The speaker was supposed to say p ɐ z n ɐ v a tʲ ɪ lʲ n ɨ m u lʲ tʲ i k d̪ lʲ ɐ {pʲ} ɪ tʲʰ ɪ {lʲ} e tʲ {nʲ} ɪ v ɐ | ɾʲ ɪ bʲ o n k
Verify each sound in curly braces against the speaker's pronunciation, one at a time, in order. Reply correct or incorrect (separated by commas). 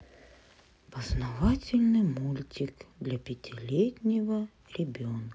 correct, correct, correct